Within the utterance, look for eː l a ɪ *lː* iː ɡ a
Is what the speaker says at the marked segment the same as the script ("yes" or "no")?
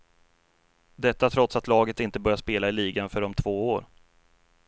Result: no